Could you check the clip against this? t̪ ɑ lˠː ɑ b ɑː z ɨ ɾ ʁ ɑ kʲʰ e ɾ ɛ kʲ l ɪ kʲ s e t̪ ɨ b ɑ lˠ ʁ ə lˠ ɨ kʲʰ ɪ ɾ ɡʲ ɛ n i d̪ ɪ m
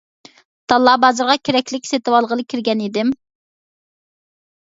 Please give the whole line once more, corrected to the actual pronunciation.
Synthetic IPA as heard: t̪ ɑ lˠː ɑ b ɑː z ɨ ɾ ʁ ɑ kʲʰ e ɾ ɛ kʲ l ɪ kʲ s e t̪ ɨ w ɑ lˠ ʁ ə lˠ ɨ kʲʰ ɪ ɾ ɡʲ ɛ n i d̪ ɪ m